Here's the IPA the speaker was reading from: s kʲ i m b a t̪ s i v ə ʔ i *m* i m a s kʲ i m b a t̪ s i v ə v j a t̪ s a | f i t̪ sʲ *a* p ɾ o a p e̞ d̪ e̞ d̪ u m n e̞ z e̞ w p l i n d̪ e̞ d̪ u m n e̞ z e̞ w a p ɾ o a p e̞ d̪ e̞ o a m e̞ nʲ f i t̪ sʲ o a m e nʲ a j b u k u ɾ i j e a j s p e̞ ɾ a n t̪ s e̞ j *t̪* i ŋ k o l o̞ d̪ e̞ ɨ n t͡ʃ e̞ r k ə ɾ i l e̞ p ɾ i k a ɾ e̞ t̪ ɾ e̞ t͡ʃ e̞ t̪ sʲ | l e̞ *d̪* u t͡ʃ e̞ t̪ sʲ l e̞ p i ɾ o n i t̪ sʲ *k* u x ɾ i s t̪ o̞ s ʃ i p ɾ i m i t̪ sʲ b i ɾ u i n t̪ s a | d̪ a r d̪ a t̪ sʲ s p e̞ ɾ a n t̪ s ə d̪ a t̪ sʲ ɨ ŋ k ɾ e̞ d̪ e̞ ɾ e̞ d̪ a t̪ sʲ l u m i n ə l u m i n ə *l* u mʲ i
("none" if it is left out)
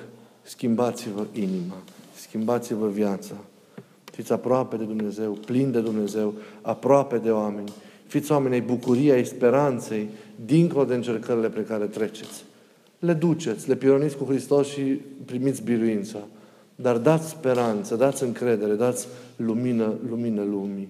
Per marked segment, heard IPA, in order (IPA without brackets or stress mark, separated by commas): n, a, d̪, d̪, k, l